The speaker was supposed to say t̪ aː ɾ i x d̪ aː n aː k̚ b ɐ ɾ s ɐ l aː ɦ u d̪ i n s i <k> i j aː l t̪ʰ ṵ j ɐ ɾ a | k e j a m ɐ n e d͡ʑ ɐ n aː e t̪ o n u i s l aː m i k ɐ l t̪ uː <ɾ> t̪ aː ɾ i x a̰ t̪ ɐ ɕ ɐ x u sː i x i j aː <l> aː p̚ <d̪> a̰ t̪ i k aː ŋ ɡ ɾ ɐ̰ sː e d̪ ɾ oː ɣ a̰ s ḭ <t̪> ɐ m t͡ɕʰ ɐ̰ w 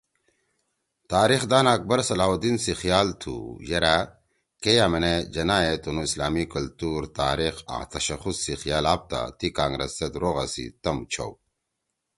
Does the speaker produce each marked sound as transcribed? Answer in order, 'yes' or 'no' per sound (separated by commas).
no, yes, yes, no, yes